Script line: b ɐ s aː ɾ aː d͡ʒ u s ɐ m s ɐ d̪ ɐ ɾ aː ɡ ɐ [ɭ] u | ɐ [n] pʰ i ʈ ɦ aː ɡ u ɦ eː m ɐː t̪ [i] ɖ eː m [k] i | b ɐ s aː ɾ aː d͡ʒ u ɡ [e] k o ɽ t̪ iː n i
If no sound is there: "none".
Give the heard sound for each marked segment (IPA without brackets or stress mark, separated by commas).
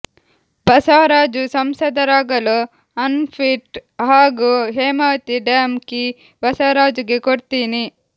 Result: l, n, i, k, e